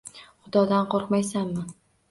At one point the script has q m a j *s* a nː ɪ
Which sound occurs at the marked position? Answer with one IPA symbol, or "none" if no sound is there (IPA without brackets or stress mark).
s